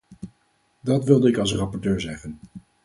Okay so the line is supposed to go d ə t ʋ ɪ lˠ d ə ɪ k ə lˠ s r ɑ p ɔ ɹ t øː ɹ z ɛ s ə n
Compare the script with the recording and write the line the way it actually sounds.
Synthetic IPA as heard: d ɑ t ʋ ɪ lˠ d ə ɪ k ɑ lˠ s r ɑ p ɔ ɹ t øː ɹ z ɛ χ ə n

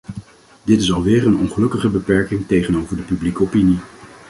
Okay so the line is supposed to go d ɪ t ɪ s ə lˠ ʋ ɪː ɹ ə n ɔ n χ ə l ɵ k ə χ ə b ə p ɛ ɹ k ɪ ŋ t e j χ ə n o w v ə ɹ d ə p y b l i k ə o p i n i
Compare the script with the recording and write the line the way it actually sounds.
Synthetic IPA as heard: d ɪ t ɪ s ɑ lˠ ʋ ɪː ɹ ə n ɔ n χ ə l ɵ k ə χ ə b ə p ɛ ɹ k ɪ ŋ t e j χ ə n o w v ə ɹ d ə p y b l i k ə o p i n i

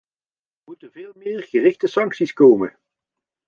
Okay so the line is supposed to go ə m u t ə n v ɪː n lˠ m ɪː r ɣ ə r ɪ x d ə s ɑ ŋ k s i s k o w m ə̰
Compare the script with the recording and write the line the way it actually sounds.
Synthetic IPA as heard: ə m u t ə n v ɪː lˠ m ɪː r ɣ ə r ɪ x t ə s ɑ ŋ k s i s k o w m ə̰

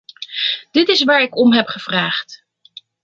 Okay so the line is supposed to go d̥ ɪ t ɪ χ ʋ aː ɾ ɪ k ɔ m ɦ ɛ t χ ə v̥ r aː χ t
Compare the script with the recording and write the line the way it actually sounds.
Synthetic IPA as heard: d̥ ɪ t ɪ s ʋ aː ɹ ɪ k ɔ m ɦ ɛ p χ ə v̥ r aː χ t

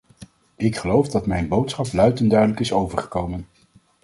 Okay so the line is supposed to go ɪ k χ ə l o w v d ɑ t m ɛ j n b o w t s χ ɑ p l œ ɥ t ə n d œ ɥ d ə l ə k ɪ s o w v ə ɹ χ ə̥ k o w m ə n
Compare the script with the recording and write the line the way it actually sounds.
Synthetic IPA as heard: ɪ k χ ə l o w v d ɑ t m ɛ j n b o w t s χ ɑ p l œ ɥ t ə n d œ ɥ d ə l ə k ɪ s o w v ə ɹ χ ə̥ k o w m ə n

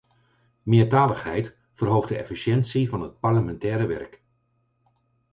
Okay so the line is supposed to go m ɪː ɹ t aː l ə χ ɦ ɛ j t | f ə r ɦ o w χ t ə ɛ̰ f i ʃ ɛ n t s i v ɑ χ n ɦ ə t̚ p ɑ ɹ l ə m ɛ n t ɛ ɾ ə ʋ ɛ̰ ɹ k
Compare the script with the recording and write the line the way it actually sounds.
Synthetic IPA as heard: m ɪː ɹ t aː l ə χ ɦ ɛ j t | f ə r ɦ o w χ d ə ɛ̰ f i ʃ ɛ n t s i v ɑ n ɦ ə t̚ p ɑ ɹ l ə m ɛ n t ɛː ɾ ə ʋ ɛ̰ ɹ k

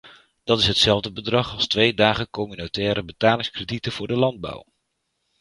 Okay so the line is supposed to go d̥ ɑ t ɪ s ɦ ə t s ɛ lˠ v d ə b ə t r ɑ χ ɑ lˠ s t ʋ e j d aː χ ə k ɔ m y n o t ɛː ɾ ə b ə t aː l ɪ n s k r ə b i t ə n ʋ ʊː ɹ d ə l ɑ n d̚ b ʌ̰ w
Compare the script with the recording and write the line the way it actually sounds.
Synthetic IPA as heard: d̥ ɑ t ɪ s ɦ ə t s ɛ lˠ v d ə b ə d r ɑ χ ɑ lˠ s t ʋ e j d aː χ ə k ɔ m y n o t ɛː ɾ ə b ə t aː l ɪ ŋ s k r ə d i t ə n v ʊː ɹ d ə l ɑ n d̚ b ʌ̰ w

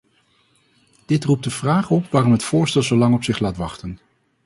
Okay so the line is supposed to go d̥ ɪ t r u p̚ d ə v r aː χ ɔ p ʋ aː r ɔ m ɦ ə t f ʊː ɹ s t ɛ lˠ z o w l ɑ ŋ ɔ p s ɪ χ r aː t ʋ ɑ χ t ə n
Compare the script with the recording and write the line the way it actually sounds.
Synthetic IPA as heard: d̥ ɪ t r u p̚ d ə v r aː χ ɔ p ʋ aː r ɔ m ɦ ə t f ʊː ɹ s t ɛ lˠ z o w l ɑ ŋ ɔ p s ɪ χ l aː t ʋ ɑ χ t ə n

